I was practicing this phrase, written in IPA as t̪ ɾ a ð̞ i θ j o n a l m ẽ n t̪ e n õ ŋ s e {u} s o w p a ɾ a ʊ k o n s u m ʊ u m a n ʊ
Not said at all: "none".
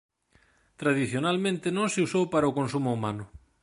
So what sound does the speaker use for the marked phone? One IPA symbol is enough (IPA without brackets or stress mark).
u